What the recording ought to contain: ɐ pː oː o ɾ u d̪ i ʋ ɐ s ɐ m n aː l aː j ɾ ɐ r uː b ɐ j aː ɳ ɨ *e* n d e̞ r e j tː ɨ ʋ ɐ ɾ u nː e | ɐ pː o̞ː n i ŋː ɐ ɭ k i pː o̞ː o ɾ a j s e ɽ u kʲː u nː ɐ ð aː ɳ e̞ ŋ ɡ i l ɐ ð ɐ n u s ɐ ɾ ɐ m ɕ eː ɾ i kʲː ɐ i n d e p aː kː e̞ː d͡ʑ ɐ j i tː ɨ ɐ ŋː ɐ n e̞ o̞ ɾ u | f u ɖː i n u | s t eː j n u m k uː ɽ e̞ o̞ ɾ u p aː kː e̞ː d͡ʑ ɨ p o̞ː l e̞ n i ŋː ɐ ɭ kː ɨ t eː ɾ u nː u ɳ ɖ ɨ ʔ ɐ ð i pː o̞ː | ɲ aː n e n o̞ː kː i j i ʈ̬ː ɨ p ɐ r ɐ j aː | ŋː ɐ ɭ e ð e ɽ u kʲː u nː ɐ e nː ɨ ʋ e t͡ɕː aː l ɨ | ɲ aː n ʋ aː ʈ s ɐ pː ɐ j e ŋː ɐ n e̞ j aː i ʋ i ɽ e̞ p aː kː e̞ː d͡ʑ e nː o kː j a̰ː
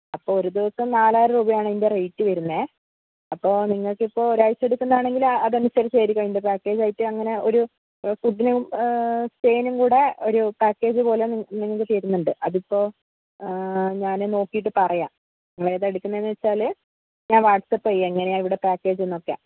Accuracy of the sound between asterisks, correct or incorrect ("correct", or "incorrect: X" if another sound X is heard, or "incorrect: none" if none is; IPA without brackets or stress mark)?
incorrect: i